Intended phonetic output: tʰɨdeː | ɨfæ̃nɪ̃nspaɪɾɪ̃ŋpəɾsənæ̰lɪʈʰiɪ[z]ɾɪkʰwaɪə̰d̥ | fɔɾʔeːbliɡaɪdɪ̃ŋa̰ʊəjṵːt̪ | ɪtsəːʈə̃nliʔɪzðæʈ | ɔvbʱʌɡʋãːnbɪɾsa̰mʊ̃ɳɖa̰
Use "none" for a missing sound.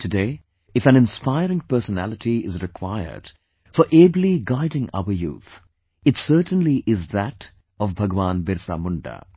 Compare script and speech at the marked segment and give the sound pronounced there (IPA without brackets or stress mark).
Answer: z